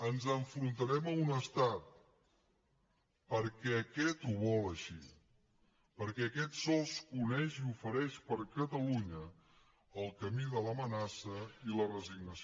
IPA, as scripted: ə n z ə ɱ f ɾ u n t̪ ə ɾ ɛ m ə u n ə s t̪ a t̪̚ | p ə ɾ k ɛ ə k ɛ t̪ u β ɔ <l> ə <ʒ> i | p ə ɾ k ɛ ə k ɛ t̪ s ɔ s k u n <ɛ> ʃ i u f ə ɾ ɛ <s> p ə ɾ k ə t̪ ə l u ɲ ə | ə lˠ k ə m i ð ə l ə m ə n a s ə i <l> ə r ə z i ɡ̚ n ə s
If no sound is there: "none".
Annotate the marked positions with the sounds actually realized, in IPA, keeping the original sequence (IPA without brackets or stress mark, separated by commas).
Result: l, ʃ, ɛ, ʃ, l